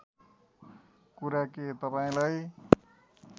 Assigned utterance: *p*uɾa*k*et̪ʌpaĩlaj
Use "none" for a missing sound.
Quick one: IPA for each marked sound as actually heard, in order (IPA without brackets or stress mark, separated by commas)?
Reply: k, k